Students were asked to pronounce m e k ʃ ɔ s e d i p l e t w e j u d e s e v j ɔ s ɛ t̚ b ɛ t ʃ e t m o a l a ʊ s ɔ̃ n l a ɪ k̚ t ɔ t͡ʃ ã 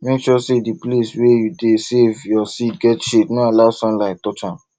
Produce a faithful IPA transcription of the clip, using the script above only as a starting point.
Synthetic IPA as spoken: m e k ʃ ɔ s e d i p l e s w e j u d e s e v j ɔ s i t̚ ɡ ɛ t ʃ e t n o a l a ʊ s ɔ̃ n l a ɪ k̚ t ɔ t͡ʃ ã